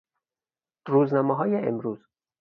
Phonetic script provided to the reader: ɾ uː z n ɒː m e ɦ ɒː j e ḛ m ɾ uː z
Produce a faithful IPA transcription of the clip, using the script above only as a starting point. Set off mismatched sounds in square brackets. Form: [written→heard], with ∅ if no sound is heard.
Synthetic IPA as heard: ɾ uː z n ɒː m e ɦ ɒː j e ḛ m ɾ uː z